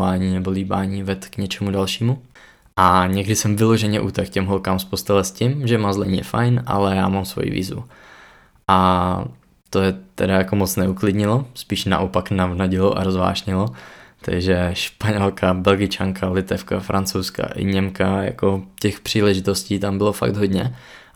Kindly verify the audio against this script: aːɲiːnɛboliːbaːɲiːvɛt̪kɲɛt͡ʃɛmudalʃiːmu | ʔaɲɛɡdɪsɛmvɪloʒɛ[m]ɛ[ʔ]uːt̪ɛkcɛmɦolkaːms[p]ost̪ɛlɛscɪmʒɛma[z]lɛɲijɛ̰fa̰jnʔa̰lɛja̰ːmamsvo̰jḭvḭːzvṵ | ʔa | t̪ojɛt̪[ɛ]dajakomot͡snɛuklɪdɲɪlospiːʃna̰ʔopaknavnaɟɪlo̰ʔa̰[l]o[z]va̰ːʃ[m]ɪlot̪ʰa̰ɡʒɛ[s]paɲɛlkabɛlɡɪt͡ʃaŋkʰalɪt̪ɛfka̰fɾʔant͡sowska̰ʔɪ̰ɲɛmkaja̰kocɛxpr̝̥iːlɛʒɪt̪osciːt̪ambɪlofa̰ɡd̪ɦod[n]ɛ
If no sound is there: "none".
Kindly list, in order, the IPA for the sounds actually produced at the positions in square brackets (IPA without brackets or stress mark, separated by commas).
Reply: ɲ, ʔ, p, z, ɛ, ɾ, z, ɲ, ʃ, ɲ